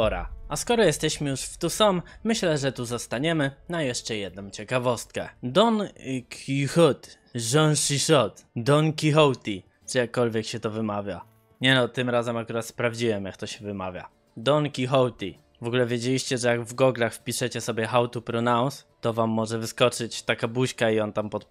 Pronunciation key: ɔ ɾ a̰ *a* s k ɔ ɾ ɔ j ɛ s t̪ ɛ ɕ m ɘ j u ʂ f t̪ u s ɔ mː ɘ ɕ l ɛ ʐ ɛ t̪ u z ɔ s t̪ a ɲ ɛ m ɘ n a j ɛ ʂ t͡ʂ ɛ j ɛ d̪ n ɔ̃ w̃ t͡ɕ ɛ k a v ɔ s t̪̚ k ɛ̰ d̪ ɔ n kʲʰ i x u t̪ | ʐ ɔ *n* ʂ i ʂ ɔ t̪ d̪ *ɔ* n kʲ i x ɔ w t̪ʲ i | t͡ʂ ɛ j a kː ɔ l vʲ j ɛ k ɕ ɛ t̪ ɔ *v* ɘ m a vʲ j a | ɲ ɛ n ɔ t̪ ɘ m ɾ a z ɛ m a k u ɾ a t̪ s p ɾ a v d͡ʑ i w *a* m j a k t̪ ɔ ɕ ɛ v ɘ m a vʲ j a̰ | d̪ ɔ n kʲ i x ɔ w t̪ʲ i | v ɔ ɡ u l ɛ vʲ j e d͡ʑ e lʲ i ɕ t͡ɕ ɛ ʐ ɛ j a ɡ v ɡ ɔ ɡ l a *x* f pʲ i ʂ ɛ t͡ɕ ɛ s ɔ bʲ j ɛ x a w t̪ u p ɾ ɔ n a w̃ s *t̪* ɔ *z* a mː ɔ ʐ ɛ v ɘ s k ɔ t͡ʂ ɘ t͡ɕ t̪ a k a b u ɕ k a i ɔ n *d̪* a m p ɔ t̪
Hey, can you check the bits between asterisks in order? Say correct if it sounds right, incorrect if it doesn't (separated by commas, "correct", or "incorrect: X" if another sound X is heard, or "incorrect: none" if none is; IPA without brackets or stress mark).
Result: correct, correct, correct, correct, incorrect: ɛ, correct, correct, incorrect: v, incorrect: t̪